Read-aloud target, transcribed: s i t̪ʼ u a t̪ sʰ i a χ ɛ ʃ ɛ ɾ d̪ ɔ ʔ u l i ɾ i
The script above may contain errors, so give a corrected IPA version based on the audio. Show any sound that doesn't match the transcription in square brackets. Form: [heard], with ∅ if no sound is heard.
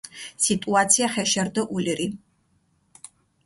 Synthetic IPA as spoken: s i t̪ʼ u a t̪ sʰ i a χ ɛ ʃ ɛ ɾ d̪ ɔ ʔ u l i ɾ i